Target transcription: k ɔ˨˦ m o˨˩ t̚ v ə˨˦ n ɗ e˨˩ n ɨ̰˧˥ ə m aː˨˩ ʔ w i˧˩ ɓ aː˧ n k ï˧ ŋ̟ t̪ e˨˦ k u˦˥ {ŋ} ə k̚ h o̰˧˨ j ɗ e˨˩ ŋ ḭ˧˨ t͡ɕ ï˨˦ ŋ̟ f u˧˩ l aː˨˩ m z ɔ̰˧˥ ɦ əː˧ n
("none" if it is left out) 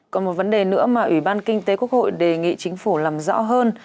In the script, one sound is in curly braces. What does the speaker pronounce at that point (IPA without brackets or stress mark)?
none